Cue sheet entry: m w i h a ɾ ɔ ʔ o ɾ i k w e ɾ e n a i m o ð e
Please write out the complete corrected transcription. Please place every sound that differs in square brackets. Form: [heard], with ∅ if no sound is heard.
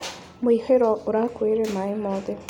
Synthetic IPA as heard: m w i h [e] ɾ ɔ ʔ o ɾ [a] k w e ɾ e [m] a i m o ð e